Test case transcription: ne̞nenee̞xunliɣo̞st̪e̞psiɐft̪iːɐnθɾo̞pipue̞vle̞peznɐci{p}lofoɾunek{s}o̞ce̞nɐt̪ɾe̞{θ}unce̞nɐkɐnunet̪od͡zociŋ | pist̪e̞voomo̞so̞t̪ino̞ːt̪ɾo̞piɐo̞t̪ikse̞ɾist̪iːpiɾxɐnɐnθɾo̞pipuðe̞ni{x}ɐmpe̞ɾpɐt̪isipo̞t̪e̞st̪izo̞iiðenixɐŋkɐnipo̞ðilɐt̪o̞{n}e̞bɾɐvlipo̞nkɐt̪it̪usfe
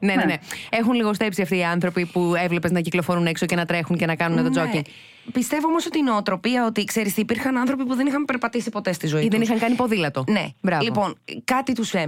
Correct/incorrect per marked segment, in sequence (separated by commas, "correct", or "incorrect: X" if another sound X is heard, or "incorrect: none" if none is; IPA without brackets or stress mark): incorrect: k, correct, incorrect: x, correct, correct